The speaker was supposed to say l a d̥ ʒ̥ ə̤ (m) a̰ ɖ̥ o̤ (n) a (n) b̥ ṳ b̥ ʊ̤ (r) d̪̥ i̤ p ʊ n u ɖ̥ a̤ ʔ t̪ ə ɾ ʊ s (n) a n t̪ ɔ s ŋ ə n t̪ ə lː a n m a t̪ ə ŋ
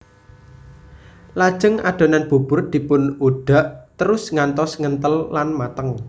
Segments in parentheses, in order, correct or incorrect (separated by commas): incorrect, correct, correct, correct, incorrect